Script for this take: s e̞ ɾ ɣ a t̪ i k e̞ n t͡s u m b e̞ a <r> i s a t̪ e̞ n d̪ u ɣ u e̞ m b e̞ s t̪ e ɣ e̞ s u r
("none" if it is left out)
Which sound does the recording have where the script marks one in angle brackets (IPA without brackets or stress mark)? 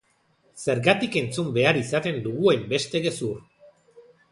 ɾ